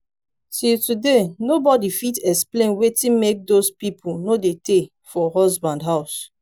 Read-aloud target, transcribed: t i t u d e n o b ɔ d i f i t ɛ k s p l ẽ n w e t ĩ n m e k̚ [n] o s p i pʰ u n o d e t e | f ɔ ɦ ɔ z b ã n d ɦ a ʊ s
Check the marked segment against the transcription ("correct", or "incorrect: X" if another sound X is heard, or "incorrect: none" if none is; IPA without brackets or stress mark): incorrect: d